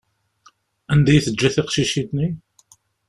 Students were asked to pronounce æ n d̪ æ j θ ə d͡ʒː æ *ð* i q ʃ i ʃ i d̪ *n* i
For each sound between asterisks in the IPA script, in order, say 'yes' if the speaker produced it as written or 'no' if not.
no, yes

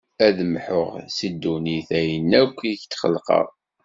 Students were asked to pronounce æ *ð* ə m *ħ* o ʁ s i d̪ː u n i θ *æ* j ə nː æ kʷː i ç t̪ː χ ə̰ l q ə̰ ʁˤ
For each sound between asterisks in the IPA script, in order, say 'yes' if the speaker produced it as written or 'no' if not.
yes, yes, yes

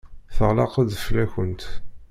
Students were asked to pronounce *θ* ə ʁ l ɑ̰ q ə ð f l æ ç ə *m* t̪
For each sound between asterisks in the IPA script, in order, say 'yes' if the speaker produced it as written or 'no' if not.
yes, no

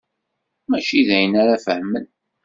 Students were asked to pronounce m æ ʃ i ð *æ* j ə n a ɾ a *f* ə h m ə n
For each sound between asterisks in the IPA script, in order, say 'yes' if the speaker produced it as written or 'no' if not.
yes, yes

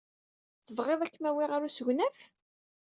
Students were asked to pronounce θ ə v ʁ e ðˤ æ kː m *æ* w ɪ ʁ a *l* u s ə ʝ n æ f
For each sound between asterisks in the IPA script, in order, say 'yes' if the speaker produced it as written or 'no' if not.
yes, no

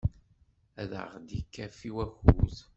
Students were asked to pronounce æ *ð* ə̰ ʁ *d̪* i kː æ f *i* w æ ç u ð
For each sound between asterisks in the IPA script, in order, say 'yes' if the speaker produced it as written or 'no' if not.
yes, yes, yes

